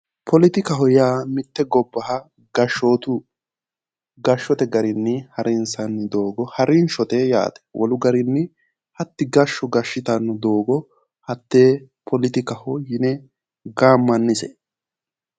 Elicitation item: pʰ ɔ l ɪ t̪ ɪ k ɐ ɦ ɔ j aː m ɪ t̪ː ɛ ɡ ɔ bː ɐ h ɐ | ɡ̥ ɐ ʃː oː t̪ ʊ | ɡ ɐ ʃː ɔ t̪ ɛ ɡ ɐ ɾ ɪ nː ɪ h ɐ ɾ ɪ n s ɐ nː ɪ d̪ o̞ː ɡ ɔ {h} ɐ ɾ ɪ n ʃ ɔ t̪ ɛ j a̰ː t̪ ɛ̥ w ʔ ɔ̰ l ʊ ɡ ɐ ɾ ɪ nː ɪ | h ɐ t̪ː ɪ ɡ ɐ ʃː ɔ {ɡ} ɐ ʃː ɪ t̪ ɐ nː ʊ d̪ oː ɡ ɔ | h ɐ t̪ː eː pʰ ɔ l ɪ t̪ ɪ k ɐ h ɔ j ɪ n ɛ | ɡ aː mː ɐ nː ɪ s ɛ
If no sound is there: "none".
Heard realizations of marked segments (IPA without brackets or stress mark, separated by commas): h, ɡ